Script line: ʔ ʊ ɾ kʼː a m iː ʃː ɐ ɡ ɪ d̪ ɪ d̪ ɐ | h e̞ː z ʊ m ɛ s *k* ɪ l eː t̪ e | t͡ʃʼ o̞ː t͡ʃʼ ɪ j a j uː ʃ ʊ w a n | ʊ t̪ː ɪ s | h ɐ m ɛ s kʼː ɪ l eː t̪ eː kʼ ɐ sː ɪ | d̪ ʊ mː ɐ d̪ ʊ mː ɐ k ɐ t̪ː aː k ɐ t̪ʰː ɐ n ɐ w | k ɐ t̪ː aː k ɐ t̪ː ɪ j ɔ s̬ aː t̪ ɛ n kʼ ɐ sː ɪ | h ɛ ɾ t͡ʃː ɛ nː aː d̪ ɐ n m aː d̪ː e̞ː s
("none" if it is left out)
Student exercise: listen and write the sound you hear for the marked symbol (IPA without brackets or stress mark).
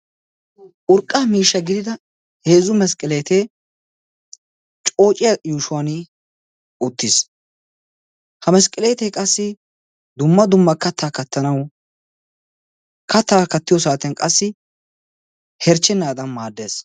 kʼ